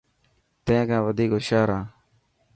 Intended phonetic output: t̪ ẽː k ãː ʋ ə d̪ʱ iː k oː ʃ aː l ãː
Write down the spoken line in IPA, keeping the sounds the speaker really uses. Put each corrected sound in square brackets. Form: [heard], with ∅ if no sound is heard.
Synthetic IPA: t̪ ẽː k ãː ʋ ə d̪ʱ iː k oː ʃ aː [ɾ] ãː